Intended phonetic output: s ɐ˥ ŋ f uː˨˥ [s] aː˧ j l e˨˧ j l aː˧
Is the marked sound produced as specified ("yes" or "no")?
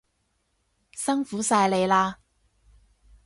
yes